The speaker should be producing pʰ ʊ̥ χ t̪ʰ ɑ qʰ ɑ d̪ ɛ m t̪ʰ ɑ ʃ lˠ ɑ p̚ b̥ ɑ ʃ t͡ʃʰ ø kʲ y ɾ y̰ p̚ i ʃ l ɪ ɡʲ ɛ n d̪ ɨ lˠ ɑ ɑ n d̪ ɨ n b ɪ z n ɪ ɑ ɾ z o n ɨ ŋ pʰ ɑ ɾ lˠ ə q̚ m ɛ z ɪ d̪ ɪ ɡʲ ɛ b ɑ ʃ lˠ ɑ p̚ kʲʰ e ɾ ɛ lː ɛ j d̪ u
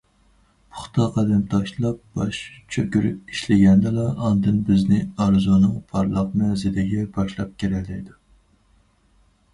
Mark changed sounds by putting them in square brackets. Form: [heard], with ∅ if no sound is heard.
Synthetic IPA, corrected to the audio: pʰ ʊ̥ χ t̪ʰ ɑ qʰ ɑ d̪ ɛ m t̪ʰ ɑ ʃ lˠ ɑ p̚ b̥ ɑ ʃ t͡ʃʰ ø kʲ y ɾ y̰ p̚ i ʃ l ɪ ɡʲ ɛ n d̪ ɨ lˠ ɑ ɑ n d̪ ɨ n b ɪ z n ɪ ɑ ɾ z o n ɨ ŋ pʰ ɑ ɾ lˠ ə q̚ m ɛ z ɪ d̪ ɪ ɡʲ ɛ b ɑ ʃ lˠ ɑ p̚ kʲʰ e ɾ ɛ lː ɛ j d̪ u